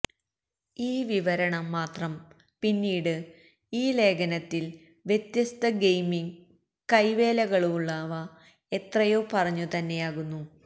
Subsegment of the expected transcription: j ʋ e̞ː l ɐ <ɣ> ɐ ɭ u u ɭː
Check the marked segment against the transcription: correct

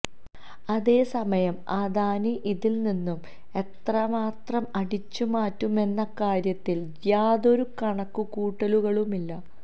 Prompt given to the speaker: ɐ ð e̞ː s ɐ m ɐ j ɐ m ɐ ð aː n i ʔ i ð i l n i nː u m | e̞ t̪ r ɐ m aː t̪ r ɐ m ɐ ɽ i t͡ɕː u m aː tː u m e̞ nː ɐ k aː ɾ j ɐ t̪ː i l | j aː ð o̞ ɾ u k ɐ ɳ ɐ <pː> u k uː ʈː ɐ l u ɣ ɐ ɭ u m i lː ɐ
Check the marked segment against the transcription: incorrect: kː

